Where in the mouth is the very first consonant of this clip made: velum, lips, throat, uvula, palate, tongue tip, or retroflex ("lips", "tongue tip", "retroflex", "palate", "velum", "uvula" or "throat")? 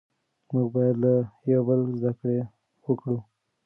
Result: lips